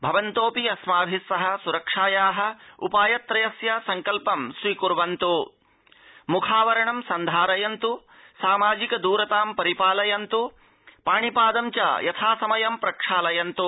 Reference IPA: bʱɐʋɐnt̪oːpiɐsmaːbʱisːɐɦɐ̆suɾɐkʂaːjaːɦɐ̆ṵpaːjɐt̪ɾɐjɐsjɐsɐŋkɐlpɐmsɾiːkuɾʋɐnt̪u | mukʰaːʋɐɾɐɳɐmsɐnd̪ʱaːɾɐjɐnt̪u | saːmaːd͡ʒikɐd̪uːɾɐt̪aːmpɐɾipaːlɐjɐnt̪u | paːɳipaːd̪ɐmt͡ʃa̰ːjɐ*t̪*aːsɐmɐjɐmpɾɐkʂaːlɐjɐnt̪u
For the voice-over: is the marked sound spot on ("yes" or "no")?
no